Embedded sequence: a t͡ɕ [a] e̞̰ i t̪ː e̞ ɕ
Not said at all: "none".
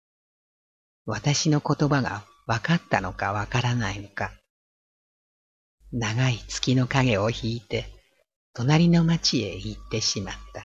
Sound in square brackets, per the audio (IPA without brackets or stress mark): i